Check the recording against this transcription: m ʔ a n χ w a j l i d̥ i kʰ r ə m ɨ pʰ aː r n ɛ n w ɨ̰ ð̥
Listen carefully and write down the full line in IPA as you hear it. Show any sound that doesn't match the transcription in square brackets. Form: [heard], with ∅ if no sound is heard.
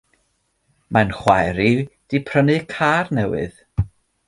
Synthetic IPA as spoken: m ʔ a n χ w a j [ɾ] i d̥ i [pʰ] r ə [n] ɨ [kʰ] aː r n ɛ [∅] w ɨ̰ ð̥